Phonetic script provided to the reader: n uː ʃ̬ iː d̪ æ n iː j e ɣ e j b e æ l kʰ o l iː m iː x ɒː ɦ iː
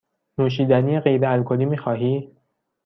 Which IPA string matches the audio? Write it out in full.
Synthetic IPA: n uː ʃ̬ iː d̪ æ n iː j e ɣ e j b e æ l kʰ o l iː m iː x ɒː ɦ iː